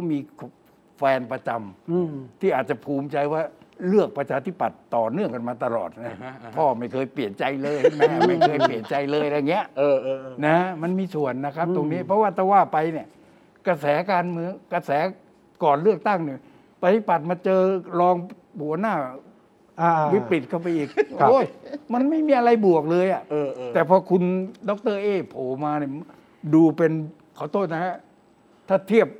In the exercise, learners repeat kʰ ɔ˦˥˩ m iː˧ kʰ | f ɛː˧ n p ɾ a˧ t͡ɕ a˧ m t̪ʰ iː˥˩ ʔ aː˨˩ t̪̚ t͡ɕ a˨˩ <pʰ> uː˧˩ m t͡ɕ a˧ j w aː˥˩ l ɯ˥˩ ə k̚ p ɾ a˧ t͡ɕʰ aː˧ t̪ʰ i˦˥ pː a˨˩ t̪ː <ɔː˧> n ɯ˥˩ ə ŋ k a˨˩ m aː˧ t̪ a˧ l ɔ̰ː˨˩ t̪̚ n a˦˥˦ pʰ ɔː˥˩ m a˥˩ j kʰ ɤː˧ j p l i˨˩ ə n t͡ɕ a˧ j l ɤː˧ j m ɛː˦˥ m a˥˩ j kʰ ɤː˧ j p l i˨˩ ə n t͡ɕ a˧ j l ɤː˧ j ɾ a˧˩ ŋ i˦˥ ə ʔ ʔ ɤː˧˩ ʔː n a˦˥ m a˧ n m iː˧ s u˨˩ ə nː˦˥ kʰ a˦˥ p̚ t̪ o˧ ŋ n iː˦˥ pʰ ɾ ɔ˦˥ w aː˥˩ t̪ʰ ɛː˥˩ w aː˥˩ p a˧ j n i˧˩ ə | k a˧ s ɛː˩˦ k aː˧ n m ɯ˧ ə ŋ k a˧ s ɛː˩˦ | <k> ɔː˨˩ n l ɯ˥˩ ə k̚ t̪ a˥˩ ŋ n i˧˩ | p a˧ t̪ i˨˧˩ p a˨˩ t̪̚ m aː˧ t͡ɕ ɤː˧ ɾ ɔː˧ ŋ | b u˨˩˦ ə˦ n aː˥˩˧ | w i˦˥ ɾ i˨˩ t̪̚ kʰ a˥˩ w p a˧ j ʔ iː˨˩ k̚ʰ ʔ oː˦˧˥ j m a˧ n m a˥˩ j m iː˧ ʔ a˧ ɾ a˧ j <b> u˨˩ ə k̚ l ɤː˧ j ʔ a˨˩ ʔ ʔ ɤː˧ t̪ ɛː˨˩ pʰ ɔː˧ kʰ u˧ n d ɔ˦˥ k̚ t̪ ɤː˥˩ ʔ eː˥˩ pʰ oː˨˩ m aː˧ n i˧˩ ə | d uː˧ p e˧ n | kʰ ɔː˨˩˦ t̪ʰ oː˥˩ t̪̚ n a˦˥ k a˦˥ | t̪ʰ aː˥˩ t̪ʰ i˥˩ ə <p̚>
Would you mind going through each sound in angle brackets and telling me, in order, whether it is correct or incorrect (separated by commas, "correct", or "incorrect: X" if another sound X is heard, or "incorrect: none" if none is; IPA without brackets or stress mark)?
correct, incorrect: ɔː˨˩, correct, correct, correct